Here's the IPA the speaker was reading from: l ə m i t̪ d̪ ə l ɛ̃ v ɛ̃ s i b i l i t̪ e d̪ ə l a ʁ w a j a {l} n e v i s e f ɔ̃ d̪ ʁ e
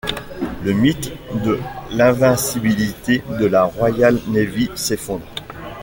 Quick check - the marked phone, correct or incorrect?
correct